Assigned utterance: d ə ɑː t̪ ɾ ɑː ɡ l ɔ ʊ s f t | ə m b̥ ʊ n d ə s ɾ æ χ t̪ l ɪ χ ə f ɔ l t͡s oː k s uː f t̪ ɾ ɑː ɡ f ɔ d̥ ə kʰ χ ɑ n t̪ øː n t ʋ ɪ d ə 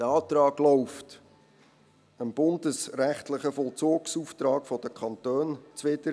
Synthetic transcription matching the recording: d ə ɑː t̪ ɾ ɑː ɡ l ɔ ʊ f t | ə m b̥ ʊ n d ə s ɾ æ χ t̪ l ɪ χ ə f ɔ l t͡s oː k s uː f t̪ ɾ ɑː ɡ f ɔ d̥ ə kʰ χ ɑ n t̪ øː n t͡s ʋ ɪ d ə